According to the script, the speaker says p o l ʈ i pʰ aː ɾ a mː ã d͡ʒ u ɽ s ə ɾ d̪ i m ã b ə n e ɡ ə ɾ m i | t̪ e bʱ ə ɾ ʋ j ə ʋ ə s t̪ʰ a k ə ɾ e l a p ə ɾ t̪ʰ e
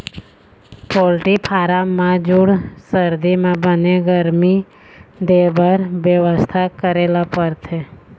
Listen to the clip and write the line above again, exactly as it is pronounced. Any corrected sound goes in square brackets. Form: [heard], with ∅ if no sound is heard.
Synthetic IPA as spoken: p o l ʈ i pʰ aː ɾ a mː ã d͡ʒ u ɽ s ə ɾ d̪ i m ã b ə n e ɡ ə ɾ m i | [d̪] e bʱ ə ɾ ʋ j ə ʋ ə s t̪ʰ a k ə ɾ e l a p ə ɾ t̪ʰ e